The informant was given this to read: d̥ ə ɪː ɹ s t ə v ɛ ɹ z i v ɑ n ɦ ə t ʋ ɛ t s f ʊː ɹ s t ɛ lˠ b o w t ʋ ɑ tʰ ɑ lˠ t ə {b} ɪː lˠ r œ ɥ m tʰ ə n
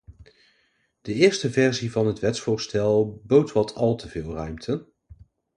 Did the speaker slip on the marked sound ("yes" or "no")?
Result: yes